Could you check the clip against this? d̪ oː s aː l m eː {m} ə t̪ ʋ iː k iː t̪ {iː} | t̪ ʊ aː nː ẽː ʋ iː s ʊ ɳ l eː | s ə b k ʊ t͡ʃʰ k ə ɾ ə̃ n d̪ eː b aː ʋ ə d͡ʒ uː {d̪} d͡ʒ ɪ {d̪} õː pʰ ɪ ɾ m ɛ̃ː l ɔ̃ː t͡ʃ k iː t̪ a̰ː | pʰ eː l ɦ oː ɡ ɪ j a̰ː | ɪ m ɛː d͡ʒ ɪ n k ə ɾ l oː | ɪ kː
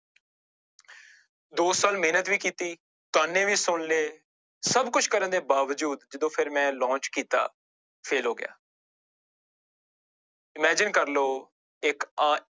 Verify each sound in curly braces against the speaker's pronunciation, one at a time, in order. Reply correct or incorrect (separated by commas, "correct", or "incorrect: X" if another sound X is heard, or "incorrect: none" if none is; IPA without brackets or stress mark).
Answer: incorrect: n, correct, correct, correct